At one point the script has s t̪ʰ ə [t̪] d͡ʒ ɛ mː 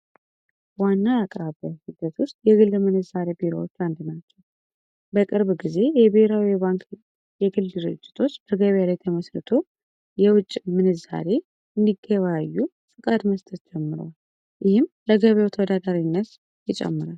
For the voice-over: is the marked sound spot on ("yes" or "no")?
yes